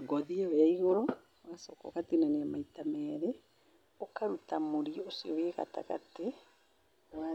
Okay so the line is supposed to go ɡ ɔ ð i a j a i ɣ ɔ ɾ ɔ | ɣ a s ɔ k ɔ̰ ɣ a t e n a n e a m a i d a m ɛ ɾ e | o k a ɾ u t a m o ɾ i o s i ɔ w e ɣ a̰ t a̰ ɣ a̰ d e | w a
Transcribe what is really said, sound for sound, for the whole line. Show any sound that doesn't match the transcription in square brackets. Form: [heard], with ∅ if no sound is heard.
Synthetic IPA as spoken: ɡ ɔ ð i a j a i ɣ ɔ ɾ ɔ | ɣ a s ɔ k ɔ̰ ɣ a t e n a n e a m a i [t] a m ɛ ɾ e | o k a ɾ u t a m o ɾ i o s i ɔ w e ɣ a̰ t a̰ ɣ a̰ [t] e | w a